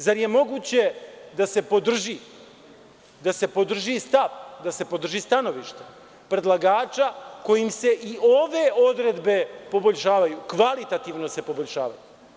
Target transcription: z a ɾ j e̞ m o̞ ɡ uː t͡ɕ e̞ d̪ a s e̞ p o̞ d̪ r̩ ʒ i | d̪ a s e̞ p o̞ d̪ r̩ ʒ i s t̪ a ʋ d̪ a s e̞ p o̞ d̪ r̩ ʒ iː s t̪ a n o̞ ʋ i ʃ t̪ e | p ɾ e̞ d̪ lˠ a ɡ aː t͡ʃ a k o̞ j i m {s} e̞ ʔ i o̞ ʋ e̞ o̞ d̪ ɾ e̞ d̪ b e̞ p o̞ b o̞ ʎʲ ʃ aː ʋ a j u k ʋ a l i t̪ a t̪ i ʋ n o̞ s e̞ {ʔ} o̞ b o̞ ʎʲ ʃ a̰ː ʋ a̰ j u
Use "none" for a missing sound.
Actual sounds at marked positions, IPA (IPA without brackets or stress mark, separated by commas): s, p